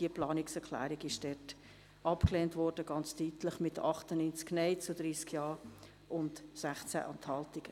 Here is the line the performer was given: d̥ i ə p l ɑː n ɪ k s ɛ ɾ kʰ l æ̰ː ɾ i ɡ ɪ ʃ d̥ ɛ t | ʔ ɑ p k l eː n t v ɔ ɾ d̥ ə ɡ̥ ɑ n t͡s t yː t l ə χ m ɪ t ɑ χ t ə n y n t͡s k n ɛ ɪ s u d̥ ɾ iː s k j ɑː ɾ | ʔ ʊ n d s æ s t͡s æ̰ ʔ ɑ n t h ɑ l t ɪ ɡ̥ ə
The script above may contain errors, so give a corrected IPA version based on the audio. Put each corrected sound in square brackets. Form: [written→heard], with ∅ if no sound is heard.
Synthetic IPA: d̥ i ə p l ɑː n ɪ k s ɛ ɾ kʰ l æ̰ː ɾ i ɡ ɪ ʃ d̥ ɛ t | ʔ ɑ p k l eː n t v ɔ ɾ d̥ ə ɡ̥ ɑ n t͡s t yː t l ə χ m ɪ t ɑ χ t ə n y n t͡s k n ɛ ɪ [s→t͡s] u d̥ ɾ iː s k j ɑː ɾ | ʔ ʊ n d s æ [s→χ] t͡s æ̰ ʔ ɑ n t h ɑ l t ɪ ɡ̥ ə